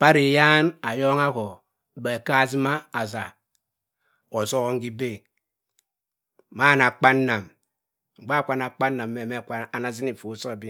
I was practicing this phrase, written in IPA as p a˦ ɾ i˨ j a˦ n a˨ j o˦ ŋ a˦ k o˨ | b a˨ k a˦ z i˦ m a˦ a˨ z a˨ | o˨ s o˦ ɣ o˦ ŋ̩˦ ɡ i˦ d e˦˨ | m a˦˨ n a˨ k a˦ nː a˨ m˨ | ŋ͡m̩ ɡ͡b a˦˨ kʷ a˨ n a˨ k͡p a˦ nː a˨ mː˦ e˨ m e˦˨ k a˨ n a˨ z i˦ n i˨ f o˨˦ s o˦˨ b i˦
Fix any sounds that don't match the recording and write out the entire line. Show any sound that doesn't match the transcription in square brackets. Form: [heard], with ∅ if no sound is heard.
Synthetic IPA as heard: p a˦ ɾ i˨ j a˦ n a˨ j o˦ ŋ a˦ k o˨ | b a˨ k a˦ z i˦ m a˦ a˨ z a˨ | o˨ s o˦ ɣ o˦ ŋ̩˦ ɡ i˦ [b] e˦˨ | m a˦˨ n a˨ [k͡p] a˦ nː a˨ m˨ | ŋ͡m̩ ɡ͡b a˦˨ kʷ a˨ n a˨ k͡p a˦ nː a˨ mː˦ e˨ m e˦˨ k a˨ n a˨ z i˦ n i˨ f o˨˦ s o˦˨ b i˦